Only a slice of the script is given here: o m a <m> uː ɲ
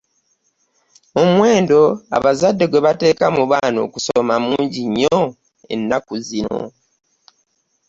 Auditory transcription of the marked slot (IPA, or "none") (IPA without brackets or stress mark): m